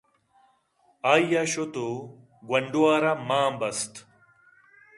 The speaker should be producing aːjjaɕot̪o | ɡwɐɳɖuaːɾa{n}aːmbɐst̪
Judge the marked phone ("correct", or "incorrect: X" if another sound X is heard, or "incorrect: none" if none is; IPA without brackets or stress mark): incorrect: m